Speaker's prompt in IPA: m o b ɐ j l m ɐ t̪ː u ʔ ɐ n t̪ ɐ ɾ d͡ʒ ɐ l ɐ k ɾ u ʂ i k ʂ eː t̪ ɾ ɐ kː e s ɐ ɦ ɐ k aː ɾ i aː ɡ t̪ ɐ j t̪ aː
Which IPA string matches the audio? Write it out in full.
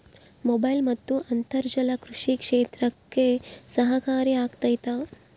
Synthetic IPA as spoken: m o b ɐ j l m ɐ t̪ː u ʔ ɐ n t̪ ɐ ɾ d͡ʒ ɐ l ɐ k ɾ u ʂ i k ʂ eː t̪ ɾ ɐ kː e s ɐ ɦ ɐ k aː ɾ i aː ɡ t̪ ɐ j t̪ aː